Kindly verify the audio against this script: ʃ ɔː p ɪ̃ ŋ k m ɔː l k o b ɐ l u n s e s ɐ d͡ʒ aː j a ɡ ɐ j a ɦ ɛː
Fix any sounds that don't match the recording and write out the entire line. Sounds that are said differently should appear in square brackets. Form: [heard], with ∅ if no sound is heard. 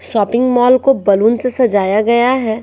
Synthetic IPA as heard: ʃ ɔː p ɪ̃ ŋ [ɡ] m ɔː l k o b ɐ l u n s e s ɐ d͡ʒ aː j a ɡ ɐ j a ɦ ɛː

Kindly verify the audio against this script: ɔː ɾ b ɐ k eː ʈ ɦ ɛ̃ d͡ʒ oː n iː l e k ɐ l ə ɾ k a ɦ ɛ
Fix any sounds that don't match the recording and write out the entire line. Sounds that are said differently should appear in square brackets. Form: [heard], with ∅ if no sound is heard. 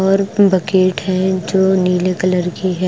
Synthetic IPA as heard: ɔː ɾ b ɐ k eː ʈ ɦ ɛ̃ d͡ʒ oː n iː l e k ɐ l ə ɾ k [i] ɦ ɛ

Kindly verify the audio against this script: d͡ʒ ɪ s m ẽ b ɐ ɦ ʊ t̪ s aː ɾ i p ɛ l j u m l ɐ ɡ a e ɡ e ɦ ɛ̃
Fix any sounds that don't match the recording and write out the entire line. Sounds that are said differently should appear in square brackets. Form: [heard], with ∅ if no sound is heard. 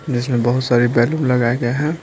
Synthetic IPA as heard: d͡ʒ ɪ s m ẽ b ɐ ɦ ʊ t̪ s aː ɾ i [b] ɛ l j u m l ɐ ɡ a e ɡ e ɦ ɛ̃

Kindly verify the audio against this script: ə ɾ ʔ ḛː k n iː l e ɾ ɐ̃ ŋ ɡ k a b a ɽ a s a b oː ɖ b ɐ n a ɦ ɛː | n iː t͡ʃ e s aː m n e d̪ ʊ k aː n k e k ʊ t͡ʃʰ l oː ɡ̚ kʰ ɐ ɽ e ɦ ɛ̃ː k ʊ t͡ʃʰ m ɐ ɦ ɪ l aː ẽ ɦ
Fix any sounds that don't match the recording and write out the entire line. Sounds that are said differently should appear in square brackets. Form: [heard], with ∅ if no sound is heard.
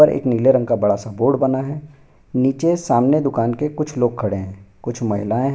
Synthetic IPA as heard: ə ɾ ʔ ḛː k n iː l e ɾ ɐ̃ ŋ ɡ k a b [ɐ] ɽ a s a b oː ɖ b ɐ n a ɦ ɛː | n iː t͡ʃ e s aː m n e d̪ ʊ k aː n k e k ʊ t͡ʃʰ l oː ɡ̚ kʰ ɐ ɽ e ɦ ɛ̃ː k ʊ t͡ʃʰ m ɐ ɦ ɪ l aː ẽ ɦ

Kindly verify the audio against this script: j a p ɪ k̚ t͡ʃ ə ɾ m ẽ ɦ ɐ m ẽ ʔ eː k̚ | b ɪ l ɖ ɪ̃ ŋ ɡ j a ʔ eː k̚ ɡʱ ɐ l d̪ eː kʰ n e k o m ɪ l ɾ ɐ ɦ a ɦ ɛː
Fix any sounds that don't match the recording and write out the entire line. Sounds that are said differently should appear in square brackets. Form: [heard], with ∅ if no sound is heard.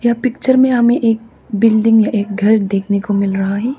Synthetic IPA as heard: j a p ɪ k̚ t͡ʃ ə ɾ m ẽ ɦ ɐ m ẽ ʔ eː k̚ | b ɪ l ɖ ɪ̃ ŋ ɡ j a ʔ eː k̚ ɡʱ ɐ [ɾ] d̪ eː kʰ n e k o m ɪ l ɾ ɐ ɦ a ɦ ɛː

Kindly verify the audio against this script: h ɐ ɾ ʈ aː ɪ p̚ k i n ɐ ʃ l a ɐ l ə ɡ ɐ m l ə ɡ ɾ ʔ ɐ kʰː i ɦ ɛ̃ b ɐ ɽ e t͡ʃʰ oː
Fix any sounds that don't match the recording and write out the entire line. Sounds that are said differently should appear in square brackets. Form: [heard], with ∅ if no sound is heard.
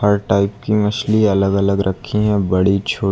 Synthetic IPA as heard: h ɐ ɾ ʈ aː ɪ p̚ k i [m] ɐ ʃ l [i] ɐ l ə ɡ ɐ [∅] l ə ɡ ɾ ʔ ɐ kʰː i ɦ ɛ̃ b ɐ ɽ [i] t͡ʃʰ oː

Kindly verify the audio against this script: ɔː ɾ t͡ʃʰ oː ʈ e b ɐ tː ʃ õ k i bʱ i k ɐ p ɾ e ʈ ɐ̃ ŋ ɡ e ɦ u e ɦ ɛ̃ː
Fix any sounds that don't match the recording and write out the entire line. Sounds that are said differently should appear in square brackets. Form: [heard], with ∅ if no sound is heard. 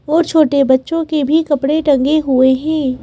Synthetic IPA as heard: ɔː ɾ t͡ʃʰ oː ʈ e b ɐ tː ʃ õ k [e] bʱ i k ɐ p [ɽ] e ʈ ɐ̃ ŋ ɡ e ɦ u e ɦ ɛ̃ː

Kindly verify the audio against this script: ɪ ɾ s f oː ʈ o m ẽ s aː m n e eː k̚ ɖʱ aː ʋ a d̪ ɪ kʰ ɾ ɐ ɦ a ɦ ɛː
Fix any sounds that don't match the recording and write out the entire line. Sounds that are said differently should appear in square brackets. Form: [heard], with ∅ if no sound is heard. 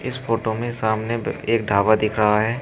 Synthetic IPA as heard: ɪ [∅] s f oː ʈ o m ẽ s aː m n e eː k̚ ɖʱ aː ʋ a d̪ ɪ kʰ ɾ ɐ ɦ a ɦ ɛː

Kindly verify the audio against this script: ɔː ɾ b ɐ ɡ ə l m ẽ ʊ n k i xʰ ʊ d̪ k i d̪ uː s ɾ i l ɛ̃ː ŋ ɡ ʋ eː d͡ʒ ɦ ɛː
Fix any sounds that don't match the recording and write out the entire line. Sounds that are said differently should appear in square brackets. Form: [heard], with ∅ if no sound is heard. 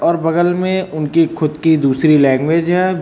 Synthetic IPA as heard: ɔː ɾ b ɐ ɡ ə l m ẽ ʊ n k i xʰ ʊ d̪ k i d̪ uː s ɾ i l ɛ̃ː ŋ ɡ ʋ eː d͡ʒ ɦ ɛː

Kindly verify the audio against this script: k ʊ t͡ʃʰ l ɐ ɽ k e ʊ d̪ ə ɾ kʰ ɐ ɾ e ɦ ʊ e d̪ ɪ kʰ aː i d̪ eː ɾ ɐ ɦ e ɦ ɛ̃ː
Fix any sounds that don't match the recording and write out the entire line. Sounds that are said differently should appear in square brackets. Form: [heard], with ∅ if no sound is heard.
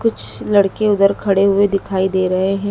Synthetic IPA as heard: k ʊ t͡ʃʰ l ɐ ɽ k e ʊ d̪ ə ɾ kʰ ɐ [ɽ] e ɦ ʊ e d̪ ɪ kʰ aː i d̪ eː ɾ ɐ ɦ e ɦ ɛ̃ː

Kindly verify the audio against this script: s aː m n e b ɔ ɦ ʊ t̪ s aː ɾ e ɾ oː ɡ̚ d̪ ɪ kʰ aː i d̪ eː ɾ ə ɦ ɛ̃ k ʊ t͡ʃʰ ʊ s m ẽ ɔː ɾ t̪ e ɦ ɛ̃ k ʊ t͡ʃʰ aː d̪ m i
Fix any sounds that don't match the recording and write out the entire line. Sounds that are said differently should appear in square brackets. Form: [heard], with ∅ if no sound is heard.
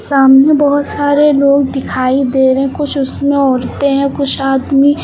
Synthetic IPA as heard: s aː m n e b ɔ ɦ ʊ t̪ s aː ɾ e [l] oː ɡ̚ d̪ ɪ kʰ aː i d̪ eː ɾ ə ɦ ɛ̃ k ʊ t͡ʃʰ ʊ s m ẽ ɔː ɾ t̪ e ɦ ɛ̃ k ʊ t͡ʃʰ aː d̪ m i

